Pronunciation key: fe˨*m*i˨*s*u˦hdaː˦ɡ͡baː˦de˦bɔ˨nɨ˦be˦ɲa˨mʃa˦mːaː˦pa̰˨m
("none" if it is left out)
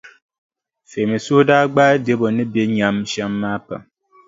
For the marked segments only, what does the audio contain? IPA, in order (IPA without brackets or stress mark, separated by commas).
m, s